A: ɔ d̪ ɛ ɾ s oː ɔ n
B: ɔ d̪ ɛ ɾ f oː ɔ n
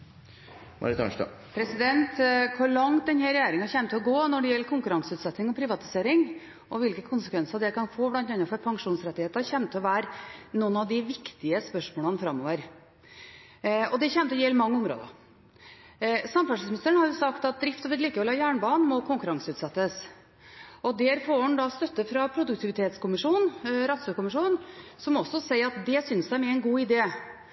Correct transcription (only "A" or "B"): B